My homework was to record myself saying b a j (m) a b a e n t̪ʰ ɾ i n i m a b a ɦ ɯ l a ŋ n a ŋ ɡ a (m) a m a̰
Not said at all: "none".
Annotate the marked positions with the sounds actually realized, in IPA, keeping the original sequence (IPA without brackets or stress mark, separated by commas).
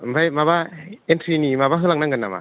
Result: m, n